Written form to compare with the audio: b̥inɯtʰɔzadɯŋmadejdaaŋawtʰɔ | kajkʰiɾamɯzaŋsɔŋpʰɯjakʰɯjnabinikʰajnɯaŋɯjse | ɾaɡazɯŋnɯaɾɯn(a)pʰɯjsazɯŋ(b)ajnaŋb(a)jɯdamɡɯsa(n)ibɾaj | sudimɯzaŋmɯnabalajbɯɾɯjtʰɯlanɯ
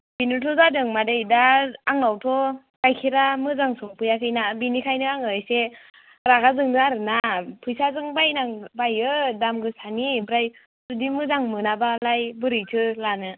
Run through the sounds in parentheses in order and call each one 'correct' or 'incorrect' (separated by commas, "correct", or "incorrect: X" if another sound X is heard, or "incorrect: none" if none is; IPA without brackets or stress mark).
correct, correct, correct, correct